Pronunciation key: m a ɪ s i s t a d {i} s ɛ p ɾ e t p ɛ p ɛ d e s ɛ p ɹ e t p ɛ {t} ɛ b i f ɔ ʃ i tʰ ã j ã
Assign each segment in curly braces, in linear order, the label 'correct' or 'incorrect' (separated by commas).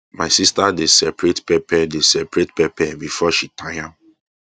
incorrect, incorrect